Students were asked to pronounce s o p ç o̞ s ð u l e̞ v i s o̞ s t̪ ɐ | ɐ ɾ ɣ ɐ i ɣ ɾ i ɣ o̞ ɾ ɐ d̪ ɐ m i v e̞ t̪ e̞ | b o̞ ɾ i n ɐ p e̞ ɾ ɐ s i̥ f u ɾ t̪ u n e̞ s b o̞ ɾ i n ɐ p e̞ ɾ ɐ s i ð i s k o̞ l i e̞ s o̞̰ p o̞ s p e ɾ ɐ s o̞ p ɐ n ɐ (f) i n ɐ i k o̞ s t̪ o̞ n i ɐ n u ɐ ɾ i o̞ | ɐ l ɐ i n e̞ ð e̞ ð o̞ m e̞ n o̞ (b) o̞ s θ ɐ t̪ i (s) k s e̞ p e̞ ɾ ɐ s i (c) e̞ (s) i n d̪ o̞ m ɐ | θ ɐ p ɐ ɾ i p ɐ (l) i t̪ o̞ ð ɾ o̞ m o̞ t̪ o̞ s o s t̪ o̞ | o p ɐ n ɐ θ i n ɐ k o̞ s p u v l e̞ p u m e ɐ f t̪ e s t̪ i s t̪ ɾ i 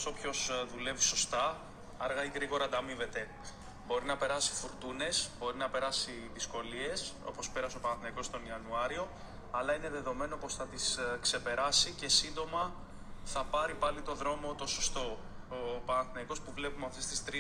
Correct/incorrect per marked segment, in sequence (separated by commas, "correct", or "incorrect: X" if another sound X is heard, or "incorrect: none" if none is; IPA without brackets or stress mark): incorrect: θ, incorrect: p, correct, correct, correct, correct